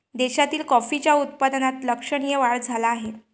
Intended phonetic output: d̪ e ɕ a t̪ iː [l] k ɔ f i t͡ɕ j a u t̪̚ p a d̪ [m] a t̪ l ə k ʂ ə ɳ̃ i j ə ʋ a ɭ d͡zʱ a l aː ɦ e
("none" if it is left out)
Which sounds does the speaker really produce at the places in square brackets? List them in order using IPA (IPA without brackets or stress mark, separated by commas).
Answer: l, n